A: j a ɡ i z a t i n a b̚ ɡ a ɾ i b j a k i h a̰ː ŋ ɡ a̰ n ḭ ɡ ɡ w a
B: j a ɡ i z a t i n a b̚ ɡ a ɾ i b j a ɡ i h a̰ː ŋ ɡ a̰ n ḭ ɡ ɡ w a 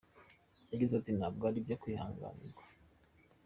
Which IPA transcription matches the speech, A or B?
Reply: A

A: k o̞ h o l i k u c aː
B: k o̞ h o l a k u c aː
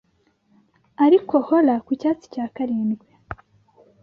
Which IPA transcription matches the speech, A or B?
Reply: B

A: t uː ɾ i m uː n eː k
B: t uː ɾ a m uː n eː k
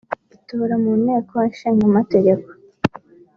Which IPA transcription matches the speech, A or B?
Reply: B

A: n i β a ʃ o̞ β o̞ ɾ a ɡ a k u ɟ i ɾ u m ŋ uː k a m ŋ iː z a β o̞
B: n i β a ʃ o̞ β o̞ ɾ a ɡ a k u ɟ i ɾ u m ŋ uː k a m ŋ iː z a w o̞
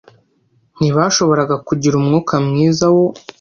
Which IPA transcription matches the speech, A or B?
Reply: B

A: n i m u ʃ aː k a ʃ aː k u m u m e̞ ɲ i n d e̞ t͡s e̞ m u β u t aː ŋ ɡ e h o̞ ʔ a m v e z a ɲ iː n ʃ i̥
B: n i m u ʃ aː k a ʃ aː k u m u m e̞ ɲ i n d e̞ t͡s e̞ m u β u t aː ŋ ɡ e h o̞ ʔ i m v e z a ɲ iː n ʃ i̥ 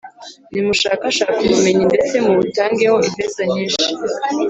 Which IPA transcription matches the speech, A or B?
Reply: B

